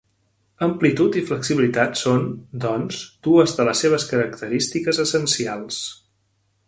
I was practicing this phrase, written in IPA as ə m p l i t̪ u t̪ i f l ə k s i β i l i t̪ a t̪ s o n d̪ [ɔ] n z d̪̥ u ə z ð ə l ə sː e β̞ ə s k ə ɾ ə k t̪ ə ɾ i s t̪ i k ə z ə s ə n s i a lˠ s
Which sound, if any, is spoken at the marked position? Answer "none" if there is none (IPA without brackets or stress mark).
ɔ